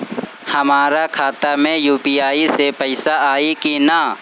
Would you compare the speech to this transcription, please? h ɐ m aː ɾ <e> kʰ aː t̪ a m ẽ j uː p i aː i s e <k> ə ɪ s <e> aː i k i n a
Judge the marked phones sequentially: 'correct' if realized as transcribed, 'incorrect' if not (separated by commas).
incorrect, incorrect, incorrect